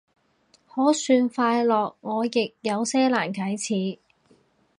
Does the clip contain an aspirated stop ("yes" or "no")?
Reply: yes